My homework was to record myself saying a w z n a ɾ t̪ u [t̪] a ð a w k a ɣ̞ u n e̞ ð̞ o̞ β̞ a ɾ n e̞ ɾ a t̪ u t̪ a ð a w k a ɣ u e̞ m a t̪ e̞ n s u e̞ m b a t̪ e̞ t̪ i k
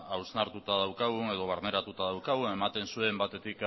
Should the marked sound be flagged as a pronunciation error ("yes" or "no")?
no